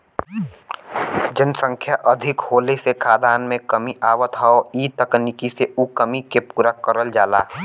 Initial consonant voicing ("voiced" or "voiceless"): voiced